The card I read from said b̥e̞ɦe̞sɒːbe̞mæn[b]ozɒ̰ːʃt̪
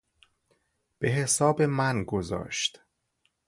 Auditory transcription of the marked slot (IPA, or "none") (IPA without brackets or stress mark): ɡ